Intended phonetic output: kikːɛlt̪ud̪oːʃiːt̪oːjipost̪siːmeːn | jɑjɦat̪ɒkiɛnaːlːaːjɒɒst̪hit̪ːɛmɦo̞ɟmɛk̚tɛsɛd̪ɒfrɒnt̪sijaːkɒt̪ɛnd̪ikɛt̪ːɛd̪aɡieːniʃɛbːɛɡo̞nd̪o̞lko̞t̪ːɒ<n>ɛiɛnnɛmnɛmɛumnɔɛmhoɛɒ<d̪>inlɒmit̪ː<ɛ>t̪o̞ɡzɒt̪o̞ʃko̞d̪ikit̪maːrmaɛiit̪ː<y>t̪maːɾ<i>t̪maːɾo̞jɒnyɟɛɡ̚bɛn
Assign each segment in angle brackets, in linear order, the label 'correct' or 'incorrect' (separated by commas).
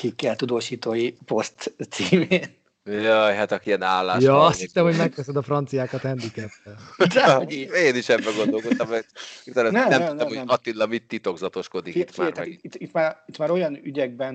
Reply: incorrect, incorrect, incorrect, incorrect, correct